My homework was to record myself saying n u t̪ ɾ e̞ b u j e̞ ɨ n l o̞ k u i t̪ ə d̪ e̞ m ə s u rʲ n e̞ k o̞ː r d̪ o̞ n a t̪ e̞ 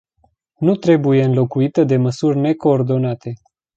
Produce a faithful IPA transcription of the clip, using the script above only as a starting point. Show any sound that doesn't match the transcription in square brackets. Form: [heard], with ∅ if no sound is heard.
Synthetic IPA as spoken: n u t̪ ɾ e̞ b u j e̞ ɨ n l o̞ k u i t̪ ə d̪ e̞ m ə s u rʲ n e̞ k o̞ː r d̪ o̞ n a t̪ e̞